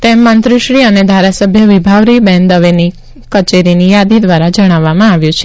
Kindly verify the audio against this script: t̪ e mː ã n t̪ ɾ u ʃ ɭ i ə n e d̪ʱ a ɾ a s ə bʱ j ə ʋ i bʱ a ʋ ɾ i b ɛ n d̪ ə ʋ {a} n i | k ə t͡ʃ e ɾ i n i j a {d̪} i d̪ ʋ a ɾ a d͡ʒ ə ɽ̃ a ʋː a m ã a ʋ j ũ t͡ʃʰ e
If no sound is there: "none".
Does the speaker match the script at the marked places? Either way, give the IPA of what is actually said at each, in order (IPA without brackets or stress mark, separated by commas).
e, d̪